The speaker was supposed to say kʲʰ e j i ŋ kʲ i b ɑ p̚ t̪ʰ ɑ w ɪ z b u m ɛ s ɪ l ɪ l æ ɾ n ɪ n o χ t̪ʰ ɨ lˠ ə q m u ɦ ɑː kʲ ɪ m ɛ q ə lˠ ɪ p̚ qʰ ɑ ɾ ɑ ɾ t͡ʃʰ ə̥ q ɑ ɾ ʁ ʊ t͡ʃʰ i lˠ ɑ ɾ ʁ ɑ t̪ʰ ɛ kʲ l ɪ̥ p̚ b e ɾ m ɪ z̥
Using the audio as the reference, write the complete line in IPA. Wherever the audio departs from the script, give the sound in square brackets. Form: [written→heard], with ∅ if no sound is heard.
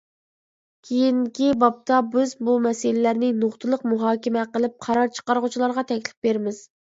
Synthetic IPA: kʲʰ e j i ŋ kʲ i b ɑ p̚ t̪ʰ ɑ [w→b] ɪ z b u m ɛ s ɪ l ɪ l æ ɾ n ɪ n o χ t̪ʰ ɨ lˠ ə q m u ɦ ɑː kʲ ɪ m ɛ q ə lˠ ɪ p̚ qʰ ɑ ɾ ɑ ɾ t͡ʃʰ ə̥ q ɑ ɾ ʁ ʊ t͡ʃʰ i lˠ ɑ ɾ ʁ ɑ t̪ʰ ɛ kʲ l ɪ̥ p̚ b e ɾ m ɪ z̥